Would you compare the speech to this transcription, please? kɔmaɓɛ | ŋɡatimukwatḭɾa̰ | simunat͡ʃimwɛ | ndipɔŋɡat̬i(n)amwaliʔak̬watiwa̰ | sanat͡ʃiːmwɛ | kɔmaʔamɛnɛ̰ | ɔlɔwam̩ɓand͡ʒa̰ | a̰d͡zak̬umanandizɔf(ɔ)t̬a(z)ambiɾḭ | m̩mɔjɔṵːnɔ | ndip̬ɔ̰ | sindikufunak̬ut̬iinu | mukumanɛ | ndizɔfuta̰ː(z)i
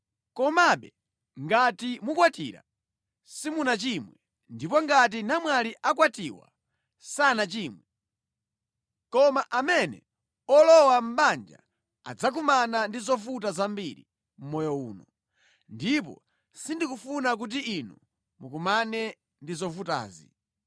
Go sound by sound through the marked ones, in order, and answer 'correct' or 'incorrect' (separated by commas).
correct, incorrect, correct, correct